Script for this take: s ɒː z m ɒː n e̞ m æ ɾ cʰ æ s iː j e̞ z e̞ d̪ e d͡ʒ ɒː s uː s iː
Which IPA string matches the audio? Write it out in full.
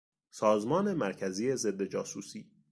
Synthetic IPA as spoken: s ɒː z m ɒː n e̞ m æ ɾ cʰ æ z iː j e̞ z e̞ d̪ː e d͡ʒ ɒː s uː s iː